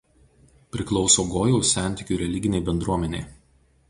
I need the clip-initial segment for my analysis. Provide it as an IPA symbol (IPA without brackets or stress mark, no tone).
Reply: pʲ